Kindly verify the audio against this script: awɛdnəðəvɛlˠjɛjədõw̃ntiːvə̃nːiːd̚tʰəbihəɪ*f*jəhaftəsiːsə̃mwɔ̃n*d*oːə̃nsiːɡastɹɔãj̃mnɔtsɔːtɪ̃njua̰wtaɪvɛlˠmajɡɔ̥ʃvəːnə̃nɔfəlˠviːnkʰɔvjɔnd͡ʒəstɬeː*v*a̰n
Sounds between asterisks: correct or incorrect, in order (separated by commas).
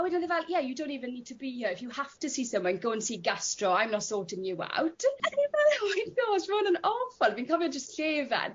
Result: correct, incorrect, correct